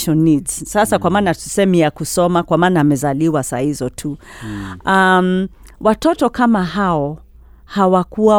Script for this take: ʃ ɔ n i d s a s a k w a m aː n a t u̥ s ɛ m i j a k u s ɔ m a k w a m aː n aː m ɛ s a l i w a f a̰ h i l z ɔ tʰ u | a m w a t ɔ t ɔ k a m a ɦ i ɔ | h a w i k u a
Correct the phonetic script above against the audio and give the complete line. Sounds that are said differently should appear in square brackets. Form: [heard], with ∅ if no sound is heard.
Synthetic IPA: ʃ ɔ n i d s a s a k w a m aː n a t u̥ s ɛ m i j a k u s ɔ m a k w a m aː n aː m ɛ [z] a l i w a [s] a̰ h i [∅] z ɔ tʰ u | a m w a t ɔ t ɔ k a m a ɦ [a] ɔ | h a w [a] k u a